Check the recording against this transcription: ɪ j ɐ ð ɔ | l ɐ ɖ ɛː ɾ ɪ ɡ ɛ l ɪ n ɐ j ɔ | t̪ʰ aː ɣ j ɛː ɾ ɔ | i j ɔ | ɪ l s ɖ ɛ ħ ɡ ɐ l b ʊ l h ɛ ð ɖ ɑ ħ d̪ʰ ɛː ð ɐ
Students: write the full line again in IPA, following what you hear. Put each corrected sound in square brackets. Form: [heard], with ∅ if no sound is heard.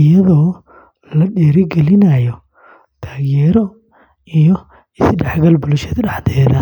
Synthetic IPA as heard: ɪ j ɐ ð [ɔː] | l ɐ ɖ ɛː ɾ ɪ ɡ ɛ l ɪ n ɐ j ɔ | t̪ʰ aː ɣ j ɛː ɾ ɔ | i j ɔ | ɪ [∅] s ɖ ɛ ħ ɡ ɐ l b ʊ l [ʃ] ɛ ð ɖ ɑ ħ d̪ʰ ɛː ð ɐ